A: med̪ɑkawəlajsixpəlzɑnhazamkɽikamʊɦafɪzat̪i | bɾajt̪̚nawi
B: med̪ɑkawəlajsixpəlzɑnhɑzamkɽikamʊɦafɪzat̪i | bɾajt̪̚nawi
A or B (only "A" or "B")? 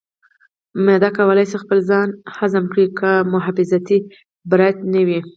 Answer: A